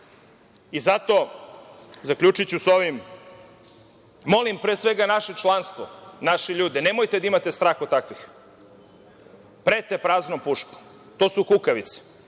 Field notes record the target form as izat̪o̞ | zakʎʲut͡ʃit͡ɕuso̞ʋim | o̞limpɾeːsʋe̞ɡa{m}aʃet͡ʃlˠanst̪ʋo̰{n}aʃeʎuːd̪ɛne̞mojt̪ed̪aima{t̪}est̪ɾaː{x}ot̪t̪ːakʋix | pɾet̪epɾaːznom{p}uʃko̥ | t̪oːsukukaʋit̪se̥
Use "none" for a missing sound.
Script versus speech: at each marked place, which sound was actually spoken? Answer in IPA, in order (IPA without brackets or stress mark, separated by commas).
n, n, t̪, x, p